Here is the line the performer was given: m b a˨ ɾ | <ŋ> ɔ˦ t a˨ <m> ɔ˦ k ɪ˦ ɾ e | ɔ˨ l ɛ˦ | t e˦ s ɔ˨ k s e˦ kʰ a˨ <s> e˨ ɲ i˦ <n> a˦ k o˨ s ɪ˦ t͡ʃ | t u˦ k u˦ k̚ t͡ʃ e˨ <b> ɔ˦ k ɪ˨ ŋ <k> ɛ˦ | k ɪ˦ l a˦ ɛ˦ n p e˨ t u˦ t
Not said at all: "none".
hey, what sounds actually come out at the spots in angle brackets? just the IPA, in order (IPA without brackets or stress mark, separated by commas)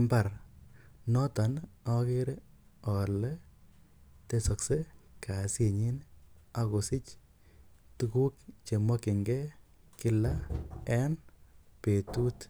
n, n, s, n, m, ɡ